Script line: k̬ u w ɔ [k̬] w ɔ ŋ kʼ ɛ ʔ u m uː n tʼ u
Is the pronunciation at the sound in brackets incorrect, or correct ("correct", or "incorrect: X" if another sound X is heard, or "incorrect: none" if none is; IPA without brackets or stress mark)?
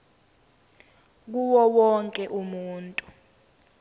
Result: incorrect: none